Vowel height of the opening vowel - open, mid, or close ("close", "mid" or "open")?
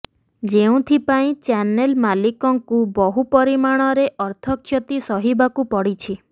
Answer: mid